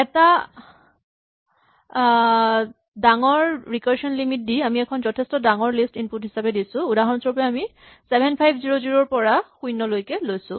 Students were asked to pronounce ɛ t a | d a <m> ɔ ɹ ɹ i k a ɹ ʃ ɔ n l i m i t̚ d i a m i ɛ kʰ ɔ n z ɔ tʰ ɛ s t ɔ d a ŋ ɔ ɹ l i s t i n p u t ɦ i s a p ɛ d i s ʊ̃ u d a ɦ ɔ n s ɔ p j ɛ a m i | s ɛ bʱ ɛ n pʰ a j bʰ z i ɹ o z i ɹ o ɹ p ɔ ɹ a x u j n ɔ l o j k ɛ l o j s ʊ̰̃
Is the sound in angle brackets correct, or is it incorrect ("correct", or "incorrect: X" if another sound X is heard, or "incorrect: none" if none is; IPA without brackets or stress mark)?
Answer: incorrect: ŋ